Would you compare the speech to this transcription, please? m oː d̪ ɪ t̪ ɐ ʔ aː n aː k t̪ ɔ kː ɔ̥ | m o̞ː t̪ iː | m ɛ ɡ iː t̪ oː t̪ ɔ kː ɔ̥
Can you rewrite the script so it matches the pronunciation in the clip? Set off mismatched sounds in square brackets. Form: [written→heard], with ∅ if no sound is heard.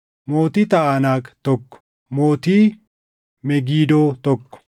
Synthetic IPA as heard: m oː [d̪→t̪] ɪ t̪ ɐ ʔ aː n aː k t̪ ɔ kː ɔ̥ | m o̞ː t̪ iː | m ɛ ɡ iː [t̪→d̪] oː t̪ ɔ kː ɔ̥